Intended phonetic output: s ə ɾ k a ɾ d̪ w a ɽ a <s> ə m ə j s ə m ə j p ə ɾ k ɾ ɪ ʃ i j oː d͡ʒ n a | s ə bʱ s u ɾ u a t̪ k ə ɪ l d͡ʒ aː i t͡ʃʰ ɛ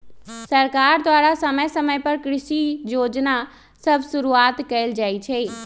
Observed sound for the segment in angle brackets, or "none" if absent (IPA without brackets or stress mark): s